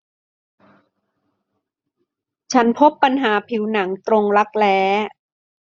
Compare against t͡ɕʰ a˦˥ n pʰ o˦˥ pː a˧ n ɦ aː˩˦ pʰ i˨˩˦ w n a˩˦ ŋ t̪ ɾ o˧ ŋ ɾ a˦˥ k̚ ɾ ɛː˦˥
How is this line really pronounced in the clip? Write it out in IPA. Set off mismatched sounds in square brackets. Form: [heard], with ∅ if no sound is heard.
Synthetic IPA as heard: t͡ɕʰ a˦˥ n pʰ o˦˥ pː a˧ n ɦ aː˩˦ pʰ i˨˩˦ w n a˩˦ ŋ t̪ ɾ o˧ ŋ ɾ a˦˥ k̚ [l] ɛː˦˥

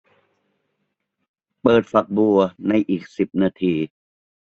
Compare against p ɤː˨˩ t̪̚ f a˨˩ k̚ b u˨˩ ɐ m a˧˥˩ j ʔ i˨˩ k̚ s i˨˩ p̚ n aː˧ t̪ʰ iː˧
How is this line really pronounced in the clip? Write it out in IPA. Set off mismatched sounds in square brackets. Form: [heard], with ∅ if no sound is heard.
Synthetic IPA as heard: p ɤː˨˩ t̪̚ f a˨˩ k̚ b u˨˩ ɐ [n] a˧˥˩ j ʔ [iː˨˩] k̚ s i˨˩ p̚ n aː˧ t̪ʰ iː˧

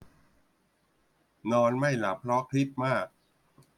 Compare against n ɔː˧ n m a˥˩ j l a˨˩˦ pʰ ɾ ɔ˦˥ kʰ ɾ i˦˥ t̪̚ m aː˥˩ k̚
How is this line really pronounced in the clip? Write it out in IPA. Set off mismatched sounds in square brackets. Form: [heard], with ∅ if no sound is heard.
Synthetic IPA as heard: n ɔː˧ n m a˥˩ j l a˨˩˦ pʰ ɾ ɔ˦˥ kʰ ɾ i˦˥ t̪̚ m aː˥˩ k̚

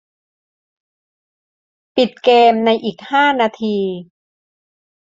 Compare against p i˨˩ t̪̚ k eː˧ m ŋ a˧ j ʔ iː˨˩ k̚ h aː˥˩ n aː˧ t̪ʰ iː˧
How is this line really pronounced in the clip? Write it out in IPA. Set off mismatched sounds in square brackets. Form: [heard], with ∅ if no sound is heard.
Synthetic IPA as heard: p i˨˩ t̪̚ k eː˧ m [n] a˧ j ʔ iː˨˩ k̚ h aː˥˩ n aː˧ t̪ʰ iː˧

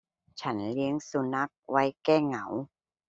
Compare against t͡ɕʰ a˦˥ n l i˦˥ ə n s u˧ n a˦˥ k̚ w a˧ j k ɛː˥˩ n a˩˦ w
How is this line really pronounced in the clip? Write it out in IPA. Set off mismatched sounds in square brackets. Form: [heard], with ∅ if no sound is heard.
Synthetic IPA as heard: t͡ɕʰ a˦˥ n l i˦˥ ə [ŋ] s u˧ n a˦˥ k̚ w [a˦˥] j k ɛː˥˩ [ŋ] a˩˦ w

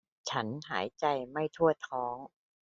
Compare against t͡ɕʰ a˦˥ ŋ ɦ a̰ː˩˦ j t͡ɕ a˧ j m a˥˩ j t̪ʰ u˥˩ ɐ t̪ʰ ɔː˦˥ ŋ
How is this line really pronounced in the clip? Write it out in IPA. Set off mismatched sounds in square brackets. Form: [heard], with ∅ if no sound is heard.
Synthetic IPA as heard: t͡ɕʰ a˦˥ [n] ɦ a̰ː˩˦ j t͡ɕ a˧ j m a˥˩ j t̪ʰ u˥˩ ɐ t̪ʰ ɔː˦˥ ŋ

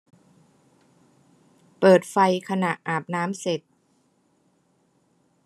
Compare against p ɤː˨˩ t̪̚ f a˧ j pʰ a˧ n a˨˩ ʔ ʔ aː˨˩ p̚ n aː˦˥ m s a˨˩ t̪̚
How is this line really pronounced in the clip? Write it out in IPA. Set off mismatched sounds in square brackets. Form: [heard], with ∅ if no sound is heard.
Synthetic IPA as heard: p ɤː˨˩ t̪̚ f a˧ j [kʰ] a˧ n a˨˩ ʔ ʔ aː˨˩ p̚ n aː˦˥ m s [e˨˩] t̪̚

